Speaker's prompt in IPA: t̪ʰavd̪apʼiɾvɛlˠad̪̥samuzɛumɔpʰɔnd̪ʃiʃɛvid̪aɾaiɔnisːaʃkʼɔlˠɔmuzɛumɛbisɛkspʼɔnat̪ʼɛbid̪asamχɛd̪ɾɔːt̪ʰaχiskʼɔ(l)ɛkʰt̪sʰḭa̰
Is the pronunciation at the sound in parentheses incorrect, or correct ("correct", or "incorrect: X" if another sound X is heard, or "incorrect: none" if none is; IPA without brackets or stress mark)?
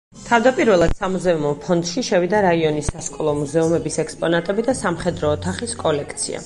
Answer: correct